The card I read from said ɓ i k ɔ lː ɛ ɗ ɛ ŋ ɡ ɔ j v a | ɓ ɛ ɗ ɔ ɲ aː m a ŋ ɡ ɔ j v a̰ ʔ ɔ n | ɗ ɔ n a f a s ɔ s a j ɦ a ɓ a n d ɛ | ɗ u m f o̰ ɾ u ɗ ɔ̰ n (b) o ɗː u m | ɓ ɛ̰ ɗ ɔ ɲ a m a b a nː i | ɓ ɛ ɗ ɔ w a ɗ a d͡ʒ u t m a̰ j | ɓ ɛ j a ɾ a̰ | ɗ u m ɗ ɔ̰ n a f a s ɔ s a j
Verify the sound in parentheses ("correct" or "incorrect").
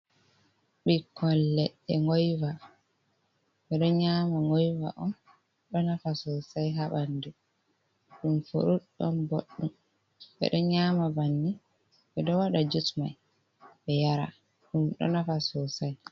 correct